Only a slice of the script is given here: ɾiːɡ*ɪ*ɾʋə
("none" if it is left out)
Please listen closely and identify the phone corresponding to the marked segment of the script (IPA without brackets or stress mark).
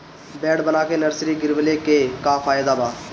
ɪ